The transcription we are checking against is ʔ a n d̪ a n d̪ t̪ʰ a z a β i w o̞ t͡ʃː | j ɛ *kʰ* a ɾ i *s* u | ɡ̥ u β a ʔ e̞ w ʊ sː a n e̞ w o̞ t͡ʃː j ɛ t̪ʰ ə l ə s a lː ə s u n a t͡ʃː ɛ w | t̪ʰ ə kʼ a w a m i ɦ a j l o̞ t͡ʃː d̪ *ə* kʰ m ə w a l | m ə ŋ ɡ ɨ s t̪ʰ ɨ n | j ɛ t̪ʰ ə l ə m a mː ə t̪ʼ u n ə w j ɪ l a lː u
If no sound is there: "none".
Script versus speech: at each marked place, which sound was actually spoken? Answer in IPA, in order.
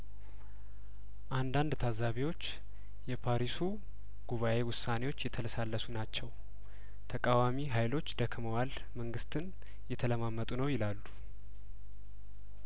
pʰ, s, ə

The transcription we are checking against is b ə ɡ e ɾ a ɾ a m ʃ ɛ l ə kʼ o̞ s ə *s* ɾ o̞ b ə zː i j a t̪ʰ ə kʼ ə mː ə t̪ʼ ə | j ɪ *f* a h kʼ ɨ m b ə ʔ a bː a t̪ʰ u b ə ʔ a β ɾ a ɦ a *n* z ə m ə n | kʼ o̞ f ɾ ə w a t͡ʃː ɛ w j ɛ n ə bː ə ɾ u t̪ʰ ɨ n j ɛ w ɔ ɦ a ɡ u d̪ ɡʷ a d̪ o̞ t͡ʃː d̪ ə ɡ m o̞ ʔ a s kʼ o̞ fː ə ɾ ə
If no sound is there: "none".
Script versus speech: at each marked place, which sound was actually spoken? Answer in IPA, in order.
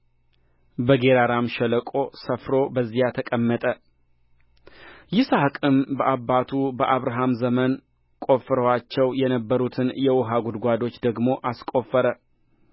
f, s, m

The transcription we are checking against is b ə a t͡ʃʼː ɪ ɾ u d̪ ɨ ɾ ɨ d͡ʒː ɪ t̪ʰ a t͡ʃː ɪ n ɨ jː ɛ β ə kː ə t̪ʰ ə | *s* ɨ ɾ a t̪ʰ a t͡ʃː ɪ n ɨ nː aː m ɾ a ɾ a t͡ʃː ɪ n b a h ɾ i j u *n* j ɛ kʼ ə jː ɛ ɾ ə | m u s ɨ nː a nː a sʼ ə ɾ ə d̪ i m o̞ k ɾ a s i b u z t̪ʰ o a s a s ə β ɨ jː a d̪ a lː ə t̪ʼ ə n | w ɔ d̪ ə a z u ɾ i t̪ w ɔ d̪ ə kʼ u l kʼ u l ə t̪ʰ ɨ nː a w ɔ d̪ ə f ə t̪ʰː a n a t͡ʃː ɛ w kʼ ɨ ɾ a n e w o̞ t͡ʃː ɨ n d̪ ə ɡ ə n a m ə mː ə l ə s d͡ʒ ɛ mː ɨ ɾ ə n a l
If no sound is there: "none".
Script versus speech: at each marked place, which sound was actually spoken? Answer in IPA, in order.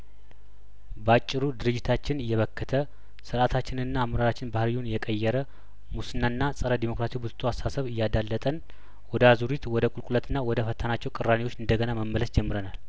s, n

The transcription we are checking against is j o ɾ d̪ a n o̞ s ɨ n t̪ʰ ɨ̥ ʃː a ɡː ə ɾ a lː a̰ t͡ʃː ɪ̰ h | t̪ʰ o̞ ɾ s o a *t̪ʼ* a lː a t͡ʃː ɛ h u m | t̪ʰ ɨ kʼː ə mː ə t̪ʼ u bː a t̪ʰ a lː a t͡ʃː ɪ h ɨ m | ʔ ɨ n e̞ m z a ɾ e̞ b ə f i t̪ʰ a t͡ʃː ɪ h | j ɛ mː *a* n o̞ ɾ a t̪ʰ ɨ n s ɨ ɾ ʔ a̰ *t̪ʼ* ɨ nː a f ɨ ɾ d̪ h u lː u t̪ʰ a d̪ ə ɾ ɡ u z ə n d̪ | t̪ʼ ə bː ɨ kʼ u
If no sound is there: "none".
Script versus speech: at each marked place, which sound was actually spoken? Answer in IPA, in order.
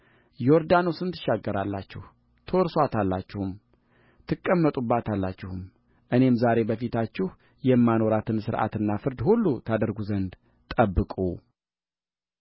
t̪, a, t̪

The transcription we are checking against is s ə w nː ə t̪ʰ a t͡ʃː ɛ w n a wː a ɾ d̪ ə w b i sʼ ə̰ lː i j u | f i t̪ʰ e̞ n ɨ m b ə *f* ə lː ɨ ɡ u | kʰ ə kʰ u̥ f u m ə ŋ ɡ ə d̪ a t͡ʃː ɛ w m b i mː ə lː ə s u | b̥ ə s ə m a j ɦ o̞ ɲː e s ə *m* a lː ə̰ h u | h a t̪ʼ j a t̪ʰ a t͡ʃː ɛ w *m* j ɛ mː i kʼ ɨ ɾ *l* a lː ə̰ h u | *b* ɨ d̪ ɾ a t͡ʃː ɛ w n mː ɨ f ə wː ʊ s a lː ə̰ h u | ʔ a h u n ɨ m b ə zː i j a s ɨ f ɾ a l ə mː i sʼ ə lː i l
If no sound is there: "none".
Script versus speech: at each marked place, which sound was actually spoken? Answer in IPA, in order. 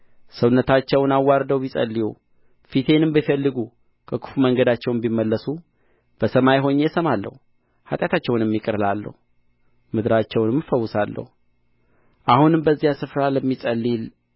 f, m, n, l, m

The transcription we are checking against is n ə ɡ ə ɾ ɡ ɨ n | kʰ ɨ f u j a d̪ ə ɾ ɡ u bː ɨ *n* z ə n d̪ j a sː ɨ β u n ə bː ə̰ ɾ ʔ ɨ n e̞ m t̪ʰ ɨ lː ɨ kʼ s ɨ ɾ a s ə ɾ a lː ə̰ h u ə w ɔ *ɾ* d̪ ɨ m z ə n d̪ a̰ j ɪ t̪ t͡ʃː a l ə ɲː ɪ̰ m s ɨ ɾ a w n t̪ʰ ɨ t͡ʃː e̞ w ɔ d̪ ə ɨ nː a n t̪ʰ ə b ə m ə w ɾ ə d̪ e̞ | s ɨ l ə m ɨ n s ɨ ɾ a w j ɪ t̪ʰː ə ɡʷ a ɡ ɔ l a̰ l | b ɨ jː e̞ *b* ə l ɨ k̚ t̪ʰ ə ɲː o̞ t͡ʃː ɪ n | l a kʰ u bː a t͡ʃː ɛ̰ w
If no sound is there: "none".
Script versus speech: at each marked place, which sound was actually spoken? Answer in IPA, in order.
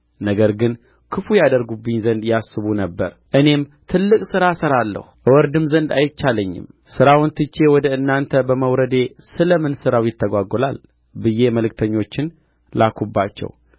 ɲ, ɾ, m

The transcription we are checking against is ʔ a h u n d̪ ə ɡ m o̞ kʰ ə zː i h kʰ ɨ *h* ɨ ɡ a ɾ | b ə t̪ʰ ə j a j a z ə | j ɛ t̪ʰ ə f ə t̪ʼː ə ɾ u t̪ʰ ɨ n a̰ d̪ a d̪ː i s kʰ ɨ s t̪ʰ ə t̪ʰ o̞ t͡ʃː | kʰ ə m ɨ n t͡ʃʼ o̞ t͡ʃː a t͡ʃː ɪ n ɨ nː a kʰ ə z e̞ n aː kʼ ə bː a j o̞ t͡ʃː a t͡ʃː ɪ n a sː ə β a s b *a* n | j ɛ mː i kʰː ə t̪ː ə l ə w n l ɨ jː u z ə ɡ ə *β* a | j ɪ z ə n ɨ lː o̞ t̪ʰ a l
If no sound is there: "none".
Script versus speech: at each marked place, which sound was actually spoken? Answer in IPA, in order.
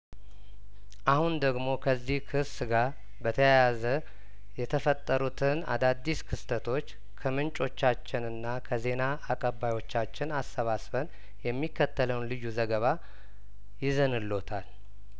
s, ə, β

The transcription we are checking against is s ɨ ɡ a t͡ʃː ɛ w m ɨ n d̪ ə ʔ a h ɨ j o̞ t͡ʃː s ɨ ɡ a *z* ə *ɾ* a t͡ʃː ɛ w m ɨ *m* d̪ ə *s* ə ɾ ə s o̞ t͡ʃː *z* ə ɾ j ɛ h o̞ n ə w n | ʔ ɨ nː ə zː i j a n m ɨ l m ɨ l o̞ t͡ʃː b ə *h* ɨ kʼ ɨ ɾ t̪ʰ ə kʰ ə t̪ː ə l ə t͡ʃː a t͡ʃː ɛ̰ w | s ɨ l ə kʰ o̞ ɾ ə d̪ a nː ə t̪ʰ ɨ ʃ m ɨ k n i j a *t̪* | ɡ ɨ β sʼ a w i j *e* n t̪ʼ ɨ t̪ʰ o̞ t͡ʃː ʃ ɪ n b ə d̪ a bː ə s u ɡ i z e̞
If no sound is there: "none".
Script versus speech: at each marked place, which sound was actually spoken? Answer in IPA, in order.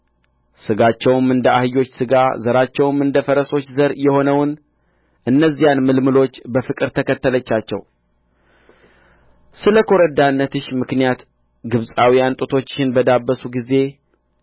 z, ɾ, n, f, z, f, t̪, a

